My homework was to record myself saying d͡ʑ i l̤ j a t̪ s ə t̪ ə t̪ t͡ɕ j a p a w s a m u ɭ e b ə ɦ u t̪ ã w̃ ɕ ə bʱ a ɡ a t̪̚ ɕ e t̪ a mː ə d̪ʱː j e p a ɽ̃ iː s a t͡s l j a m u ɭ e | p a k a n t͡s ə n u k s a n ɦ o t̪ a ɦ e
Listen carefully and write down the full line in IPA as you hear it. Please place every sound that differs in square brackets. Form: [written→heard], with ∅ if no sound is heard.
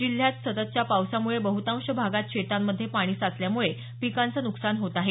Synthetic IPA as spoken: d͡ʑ i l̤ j a t̪ s ə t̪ ə t̪ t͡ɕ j a p a w s a m u ɭ e b ə ɦ u t̪ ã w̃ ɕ ə bʱ a ɡ a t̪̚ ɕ e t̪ a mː ə d̪ʱː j e p a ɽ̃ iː s a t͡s l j a m u ɭ e | p [a→i] k a n t͡s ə n u k s a n ɦ o t̪ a ɦ e